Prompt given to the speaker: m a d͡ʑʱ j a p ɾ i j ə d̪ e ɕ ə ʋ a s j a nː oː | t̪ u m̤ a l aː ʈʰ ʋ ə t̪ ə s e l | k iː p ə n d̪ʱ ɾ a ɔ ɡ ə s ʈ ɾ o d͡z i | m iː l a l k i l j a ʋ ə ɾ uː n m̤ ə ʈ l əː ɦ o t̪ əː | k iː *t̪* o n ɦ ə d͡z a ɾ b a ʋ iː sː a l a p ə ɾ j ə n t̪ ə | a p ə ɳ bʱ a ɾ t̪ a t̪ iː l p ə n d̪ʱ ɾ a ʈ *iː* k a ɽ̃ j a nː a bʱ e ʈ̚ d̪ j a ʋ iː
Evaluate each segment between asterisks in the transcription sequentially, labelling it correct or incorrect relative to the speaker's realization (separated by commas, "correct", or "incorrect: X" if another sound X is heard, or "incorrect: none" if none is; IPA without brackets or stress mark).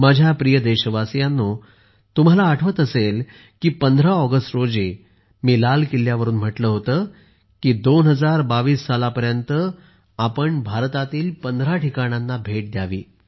incorrect: d̪, incorrect: i